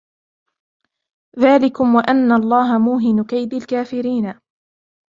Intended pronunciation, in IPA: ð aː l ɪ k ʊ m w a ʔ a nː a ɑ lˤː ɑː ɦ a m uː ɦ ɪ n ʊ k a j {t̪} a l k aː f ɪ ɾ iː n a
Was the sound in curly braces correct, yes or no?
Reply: no